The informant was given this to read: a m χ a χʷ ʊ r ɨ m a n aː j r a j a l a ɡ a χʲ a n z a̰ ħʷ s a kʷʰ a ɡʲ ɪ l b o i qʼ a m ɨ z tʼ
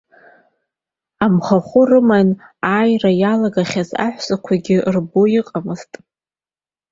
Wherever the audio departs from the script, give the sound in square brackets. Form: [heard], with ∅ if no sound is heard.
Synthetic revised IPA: a m χ a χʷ ʊ r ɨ m a n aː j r a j a l a ɡ a χʲ a [∅] z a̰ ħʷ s a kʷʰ a ɡʲ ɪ [r] b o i qʼ a m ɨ z tʼ